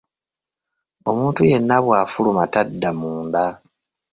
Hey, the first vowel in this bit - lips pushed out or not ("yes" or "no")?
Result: yes